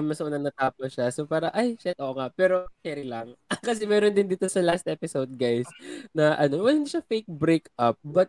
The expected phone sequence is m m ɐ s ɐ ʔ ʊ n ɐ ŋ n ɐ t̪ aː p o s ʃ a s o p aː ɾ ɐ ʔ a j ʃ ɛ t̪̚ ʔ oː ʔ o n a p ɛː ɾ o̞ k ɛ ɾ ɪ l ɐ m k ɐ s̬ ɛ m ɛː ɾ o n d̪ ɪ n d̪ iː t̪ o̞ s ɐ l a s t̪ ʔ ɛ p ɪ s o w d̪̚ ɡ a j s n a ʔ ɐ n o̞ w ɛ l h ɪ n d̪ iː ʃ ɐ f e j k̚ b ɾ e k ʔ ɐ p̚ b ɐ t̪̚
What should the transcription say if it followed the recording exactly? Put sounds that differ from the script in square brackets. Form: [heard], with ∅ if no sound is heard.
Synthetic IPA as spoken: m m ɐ s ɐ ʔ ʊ n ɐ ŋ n ɐ t̪ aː p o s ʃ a s o p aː ɾ ɐ ʔ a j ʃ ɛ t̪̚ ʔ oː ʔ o [ŋ] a p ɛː ɾ o̞ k ɛ ɾ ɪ l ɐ [ŋ] k ɐ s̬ ɛ m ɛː ɾ o n d̪ ɪ n d̪ iː t̪ o̞ s ɐ l a s t̪ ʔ ɛ p ɪ s o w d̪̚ ɡ a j s n [ɐ] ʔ ɐ n o̞ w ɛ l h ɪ n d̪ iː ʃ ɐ f e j k̚ b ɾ e k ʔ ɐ p̚ b ɐ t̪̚